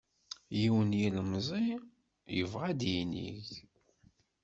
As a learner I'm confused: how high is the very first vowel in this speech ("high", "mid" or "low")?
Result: high